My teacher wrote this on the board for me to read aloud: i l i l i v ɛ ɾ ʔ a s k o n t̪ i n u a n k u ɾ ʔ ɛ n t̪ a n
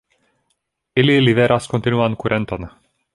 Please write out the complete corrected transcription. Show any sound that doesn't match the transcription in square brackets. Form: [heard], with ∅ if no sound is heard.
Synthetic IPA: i l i l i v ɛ ɾ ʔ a s k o n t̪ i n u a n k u ɾ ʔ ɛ n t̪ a n